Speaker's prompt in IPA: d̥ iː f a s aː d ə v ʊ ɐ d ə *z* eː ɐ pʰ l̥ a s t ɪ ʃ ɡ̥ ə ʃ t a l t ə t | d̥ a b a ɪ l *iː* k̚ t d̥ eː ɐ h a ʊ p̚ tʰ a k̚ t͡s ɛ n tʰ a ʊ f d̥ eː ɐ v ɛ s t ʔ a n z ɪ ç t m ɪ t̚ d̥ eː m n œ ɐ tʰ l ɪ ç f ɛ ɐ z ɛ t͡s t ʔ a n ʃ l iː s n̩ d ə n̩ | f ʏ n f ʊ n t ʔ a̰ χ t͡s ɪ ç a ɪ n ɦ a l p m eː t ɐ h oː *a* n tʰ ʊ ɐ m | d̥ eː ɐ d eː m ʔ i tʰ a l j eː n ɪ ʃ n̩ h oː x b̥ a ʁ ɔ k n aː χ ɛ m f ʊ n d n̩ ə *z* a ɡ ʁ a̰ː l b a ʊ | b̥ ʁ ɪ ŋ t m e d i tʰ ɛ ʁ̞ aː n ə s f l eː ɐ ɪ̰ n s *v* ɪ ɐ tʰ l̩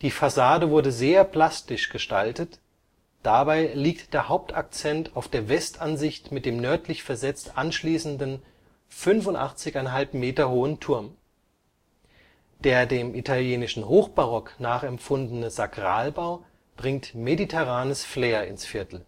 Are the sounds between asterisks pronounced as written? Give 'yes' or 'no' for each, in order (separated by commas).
yes, yes, no, yes, no